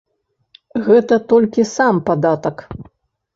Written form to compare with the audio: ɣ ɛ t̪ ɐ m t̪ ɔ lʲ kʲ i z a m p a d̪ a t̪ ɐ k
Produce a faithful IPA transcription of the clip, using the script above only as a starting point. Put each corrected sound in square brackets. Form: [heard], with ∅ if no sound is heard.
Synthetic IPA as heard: ɣ ɛ t̪ ɐ [∅] t̪ ɔ lʲ kʲ i [s] a m p a d̪ a t̪ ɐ k

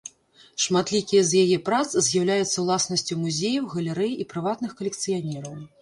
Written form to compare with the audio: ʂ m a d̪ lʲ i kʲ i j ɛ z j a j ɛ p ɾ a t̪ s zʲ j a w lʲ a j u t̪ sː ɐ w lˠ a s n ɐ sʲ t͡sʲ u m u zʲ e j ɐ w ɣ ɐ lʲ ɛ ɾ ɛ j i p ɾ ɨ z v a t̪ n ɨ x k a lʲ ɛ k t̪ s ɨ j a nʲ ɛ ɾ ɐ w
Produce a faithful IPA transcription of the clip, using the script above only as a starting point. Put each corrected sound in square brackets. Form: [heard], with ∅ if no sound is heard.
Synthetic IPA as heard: ʂ m a [t̪] lʲ i kʲ i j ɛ z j a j ɛ p ɾ a t̪ s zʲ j a w lʲ a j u t̪ sː ɐ w lˠ a s n ɐ sʲ t͡sʲ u m u zʲ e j ɐ w ɣ ɐ lʲ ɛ ɾ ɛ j i p ɾ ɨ [∅] v a t̪ n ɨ x k [ɐ] lʲ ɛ k t̪ s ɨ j a nʲ ɛ ɾ ɐ w

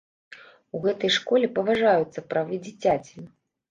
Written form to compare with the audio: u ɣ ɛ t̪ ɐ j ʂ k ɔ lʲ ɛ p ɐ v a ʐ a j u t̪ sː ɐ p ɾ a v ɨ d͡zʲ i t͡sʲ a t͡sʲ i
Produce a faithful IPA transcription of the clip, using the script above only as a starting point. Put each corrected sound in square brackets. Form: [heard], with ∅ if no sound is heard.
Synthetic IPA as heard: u ɣ ɛ t̪ ɐ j ʂ k ɔ lʲ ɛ p ɐ v a ʐ a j u t̪ sː ɐ p ɾ a v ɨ d͡zʲ i t͡sʲ a t͡sʲ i

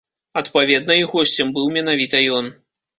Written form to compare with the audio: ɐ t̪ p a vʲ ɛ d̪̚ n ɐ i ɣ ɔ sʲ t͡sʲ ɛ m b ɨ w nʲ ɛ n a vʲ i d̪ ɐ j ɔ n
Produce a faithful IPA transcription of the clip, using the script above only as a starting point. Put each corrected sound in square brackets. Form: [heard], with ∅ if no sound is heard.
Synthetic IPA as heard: ɐ t̪ p a vʲ ɛ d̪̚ n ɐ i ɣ ɔ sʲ t͡sʲ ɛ m b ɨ w [mʲ] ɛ n a vʲ i [t̪] ɐ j ɔ n

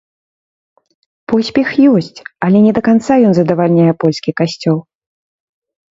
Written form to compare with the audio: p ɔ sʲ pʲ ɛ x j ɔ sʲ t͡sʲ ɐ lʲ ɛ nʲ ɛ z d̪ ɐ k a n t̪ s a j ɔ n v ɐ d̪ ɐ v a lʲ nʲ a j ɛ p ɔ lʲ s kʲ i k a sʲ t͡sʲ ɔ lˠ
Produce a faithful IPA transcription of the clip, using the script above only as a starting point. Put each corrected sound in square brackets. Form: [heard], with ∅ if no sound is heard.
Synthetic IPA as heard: p ɔ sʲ pʲ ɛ x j ɔ sʲ t͡sʲ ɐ lʲ ɛ nʲ ɛ [∅] d̪ ɐ k a n t̪ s a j ɔ n [z] ɐ d̪ ɐ v a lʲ nʲ a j ɛ p ɔ lʲ s kʲ i k a sʲ t͡sʲ ɔ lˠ

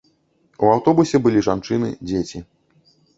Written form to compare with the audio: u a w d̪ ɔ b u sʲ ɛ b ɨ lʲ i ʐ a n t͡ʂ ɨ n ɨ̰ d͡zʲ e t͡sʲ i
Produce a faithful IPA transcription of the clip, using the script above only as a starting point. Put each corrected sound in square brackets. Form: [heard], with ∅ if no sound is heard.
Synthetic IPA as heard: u a w [t̪] ɔ b u sʲ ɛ b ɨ lʲ i ʐ a n t͡ʂ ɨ n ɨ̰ d͡zʲ e t͡sʲ i

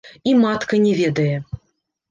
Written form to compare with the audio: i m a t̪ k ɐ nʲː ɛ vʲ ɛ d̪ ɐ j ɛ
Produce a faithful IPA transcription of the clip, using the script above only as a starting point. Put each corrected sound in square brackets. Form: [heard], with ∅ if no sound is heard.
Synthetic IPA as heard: i m a t̪ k ɐ [nʲ] ɛ vʲ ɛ d̪ ɐ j ɛ

